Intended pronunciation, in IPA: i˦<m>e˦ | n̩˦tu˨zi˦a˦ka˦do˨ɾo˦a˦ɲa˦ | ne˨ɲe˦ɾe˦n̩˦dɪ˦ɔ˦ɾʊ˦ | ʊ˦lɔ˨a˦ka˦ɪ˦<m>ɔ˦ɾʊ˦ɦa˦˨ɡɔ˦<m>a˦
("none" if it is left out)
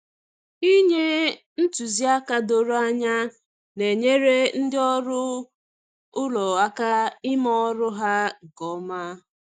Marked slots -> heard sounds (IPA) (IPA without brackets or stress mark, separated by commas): ɲ, m, m